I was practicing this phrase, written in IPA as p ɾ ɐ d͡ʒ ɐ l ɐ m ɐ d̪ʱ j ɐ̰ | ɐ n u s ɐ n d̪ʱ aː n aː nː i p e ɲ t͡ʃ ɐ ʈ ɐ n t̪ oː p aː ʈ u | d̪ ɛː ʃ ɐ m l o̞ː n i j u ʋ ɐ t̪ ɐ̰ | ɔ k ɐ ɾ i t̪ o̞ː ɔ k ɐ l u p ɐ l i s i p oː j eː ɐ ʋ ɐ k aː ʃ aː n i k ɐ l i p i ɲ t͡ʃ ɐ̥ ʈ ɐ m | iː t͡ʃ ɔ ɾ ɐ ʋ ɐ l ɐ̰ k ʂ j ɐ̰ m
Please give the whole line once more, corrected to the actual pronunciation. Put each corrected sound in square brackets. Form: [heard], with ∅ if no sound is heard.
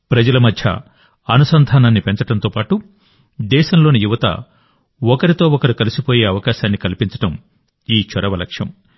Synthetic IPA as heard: p ɾ ɐ d͡ʒ ɐ l ɐ m ɐ d̪ʱ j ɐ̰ | ɐ n u s ɐ n d̪ʱ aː n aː nː i p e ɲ t͡ʃ ɐ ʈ ɐ n t̪ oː p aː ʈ u | d̪ ɛː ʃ ɐ m l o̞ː n i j u ʋ ɐ t̪ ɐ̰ | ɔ k ɐ ɾ i t̪ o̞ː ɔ k ɐ [ɾ] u [k] ɐ l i s i p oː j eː ɐ ʋ ɐ k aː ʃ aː [nː] i k ɐ l i p i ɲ t͡ʃ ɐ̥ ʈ ɐ m | iː t͡ʃ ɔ ɾ ɐ ʋ ɐ l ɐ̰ k ʂ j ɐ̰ m

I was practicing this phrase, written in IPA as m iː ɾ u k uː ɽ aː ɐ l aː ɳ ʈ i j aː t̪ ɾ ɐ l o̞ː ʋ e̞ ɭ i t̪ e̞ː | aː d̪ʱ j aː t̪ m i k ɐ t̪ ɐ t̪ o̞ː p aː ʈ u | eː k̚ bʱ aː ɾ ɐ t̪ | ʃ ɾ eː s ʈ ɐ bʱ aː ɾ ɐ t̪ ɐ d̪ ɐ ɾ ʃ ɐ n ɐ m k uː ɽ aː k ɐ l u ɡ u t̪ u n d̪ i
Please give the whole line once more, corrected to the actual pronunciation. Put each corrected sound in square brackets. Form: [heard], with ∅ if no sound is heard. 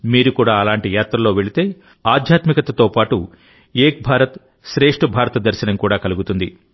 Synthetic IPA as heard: m iː ɾ u k uː ɽ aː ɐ l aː ɳ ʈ i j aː t̪ ɾ ɐ l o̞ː ʋ e̞ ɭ i t̪ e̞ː | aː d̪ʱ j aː t̪ m i k ɐ t̪ ɐ t̪ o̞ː p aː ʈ u | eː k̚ bʱ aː ɾ ɐ t̪ | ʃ ɾ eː [ʂ] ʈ ɐ bʱ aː ɾ ɐ t̪ ɐ d̪ ɐ ɾ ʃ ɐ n ɐ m k uː ɽ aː k ɐ l u ɡ u t̪ u n d̪ i

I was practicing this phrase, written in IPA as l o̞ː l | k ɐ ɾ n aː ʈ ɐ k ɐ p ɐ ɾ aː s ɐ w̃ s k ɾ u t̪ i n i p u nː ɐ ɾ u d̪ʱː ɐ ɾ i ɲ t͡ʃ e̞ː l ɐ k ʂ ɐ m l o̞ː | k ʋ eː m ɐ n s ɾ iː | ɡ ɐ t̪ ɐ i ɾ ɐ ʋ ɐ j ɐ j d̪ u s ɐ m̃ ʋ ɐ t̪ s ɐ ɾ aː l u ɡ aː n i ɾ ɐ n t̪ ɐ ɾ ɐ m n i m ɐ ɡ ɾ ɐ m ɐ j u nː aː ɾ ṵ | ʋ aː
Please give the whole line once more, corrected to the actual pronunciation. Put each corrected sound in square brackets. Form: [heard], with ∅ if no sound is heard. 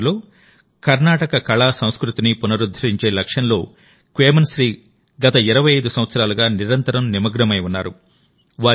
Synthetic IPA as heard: l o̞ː [∅] | k ɐ ɾ n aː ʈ ɐ k ɐ [k] ɐ [ɭ] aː s ɐ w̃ s k ɾ u t̪ i n i p u [n] ɐ ɾ u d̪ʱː ɐ ɾ i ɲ t͡ʃ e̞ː l ɐ k ʂ ɐ [n] l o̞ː | k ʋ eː m ɐ n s ɾ iː | ɡ ɐ t̪ ɐ i ɾ ɐ ʋ ɐ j ɐ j d̪ u s ɐ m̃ ʋ ɐ t̪ s ɐ ɾ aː l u ɡ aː n i ɾ ɐ n t̪ ɐ ɾ ɐ m n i m ɐ ɡ ɾ ɐ m ɐ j u nː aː ɾ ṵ | ʋ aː

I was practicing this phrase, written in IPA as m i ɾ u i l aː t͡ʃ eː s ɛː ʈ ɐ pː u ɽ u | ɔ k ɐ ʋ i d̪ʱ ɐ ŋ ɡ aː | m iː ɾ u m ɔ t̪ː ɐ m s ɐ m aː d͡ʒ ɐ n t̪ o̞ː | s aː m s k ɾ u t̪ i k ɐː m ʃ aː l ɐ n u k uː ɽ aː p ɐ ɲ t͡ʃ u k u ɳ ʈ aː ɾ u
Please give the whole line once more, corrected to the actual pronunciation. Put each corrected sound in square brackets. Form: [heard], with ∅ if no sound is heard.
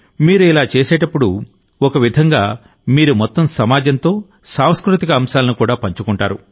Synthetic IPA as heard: m [iː] ɾ u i l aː t͡ʃ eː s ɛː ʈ ɐ pː u ɽ u | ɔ k ɐ ʋ i d̪ʱ ɐ ŋ ɡ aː | m iː ɾ u m ɔ t̪ː ɐ m s ɐ m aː d͡ʒ ɐ n t̪ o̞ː | s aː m s k ɾ u t̪ i k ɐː m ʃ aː l ɐ n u k uː ɽ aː p ɐ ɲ t͡ʃ u k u ɳ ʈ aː ɾ u

